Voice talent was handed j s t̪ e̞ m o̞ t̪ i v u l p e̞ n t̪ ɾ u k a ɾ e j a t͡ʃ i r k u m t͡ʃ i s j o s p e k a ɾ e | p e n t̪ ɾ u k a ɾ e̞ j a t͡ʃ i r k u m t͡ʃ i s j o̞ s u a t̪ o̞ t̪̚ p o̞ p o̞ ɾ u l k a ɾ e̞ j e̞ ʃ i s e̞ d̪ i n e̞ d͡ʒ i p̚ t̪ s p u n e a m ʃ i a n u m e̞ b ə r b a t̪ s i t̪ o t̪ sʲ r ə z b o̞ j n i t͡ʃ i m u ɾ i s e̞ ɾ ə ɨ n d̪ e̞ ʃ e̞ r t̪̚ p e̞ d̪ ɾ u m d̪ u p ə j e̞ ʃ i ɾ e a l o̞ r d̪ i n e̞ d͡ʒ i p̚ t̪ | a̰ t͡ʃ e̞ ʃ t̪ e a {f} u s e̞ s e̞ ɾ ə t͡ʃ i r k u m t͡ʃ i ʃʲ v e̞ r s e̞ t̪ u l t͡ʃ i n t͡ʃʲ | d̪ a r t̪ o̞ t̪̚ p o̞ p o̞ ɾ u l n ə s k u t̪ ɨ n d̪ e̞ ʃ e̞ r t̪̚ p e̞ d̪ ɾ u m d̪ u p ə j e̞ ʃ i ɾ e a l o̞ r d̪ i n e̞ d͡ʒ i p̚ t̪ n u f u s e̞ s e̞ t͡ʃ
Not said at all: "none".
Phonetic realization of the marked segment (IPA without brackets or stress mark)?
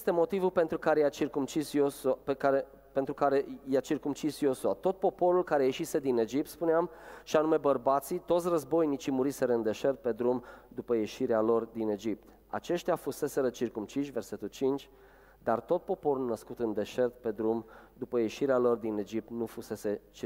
f